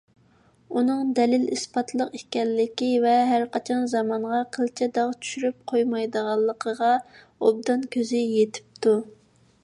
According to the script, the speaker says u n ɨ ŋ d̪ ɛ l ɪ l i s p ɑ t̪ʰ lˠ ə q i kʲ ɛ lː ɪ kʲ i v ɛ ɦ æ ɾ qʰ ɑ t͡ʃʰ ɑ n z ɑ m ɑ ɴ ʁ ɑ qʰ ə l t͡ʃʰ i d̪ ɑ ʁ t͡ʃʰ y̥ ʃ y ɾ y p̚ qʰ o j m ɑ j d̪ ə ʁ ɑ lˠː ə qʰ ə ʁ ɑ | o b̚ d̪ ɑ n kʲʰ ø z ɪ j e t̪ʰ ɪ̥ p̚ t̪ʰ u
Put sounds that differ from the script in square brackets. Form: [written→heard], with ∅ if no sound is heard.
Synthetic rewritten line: u n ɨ ŋ d̪ ɛ l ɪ l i s p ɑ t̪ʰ lˠ ə q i kʲ ɛ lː ɪ kʲ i v ɛ ɦ æ ɾ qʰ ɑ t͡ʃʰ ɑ n z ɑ m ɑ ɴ ʁ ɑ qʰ ə l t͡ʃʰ [i→ɛ] d̪ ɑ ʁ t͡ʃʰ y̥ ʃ y ɾ y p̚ qʰ o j m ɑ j d̪ ə ʁ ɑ lˠː ə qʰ ə ʁ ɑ | o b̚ d̪ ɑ n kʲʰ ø z ɪ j e t̪ʰ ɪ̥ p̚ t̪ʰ u